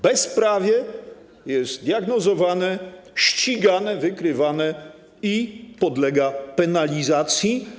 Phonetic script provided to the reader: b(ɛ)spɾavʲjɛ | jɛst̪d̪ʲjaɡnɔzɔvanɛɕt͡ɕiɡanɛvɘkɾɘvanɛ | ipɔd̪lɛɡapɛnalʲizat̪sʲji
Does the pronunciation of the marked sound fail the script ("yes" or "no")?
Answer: no